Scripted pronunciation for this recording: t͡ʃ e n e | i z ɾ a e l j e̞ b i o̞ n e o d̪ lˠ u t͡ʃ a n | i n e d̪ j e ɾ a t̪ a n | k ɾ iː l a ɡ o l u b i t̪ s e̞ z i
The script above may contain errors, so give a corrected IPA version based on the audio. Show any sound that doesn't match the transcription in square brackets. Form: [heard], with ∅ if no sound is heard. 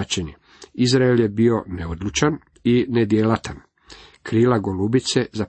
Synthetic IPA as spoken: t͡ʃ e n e | i z ɾ a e l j e̞ b i o̞ n e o d̪ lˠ u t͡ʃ a n | i n e d̪ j e [l] a t̪ a n | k ɾ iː l a ɡ o l u b i t̪ s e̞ z [a]